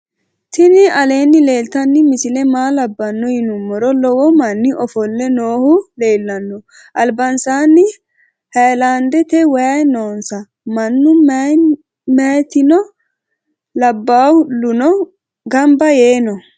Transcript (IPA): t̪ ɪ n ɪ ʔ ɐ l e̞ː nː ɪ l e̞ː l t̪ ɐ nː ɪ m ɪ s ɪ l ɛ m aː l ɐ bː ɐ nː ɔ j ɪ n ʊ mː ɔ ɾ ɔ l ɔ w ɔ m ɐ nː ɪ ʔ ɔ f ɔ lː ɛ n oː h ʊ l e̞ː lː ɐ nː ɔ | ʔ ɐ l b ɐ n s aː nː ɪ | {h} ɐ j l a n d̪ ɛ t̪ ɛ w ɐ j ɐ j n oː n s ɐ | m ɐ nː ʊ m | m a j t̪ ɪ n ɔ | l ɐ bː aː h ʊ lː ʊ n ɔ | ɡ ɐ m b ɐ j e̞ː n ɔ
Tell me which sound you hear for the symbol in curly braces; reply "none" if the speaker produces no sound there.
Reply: h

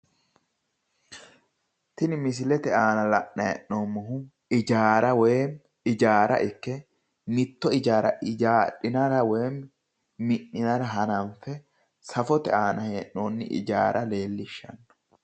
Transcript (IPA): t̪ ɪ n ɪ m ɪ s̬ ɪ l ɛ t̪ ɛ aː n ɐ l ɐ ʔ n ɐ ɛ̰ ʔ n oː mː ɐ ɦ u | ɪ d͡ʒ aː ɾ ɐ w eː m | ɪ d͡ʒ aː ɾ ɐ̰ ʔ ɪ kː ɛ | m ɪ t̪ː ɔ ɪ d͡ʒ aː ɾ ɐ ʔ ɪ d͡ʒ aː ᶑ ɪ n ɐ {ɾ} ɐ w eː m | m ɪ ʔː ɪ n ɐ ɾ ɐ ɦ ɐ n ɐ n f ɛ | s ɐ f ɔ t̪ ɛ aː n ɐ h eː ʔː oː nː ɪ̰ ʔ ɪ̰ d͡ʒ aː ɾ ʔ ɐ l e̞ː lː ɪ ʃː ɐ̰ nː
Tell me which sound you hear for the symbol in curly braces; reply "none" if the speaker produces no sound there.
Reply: ɾ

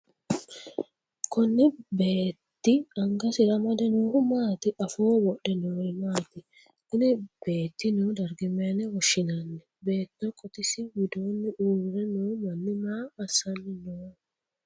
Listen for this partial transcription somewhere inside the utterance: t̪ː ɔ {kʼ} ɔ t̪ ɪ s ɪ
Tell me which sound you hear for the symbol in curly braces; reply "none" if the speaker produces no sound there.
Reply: kʼ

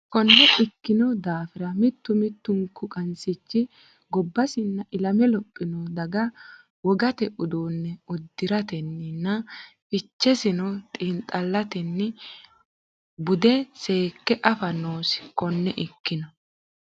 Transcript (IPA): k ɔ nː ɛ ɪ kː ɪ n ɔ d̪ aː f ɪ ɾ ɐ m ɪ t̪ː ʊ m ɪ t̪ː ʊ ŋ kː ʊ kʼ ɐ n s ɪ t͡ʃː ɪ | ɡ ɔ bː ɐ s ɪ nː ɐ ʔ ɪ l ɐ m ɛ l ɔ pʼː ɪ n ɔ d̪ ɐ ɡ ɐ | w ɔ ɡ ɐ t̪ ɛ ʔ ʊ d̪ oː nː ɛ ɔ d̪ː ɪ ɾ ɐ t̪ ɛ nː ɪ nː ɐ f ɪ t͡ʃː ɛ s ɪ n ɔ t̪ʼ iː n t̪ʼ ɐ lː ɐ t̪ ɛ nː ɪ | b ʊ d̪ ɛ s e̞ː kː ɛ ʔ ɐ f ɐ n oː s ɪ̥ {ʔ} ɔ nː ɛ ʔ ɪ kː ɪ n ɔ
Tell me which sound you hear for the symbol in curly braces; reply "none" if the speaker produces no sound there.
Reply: k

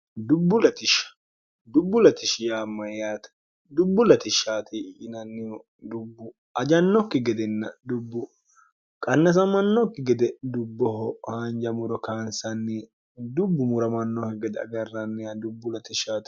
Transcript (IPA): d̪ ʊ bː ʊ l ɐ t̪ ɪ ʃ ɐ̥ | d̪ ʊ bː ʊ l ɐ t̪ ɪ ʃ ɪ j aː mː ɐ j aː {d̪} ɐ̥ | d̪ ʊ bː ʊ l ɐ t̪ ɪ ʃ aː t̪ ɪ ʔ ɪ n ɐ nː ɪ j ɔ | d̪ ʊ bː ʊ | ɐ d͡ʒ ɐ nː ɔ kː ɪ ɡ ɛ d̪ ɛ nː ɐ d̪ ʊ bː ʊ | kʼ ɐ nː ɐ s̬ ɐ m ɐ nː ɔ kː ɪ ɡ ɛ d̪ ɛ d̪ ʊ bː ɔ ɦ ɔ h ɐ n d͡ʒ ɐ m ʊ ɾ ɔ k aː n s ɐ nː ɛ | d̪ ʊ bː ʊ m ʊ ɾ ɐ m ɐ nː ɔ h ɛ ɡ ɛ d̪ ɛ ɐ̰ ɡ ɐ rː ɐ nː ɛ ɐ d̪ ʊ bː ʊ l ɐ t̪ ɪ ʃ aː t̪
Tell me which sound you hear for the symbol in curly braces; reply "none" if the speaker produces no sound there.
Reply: t̪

